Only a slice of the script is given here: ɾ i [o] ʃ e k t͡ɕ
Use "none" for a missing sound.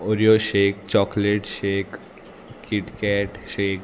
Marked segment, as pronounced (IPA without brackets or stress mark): o